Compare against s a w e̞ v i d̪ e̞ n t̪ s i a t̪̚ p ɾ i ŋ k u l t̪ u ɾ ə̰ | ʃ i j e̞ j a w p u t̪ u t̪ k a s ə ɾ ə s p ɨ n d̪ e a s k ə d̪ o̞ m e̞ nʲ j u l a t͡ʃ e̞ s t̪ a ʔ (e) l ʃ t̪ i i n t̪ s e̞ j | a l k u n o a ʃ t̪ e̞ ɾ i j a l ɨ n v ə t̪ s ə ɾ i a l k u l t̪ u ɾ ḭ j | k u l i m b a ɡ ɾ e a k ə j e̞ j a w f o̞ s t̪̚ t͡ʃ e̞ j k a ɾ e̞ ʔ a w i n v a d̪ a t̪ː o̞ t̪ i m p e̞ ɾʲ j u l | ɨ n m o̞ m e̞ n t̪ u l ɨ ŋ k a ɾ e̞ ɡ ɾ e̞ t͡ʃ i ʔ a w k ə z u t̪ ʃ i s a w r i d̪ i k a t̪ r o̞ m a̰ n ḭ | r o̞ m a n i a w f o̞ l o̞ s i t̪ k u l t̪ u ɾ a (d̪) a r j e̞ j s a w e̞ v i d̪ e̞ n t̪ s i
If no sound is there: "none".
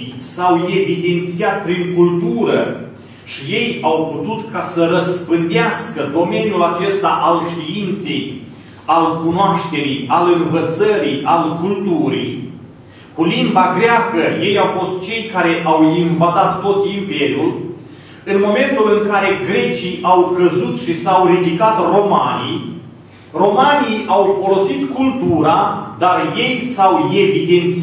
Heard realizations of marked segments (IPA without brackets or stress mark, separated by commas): a, d̪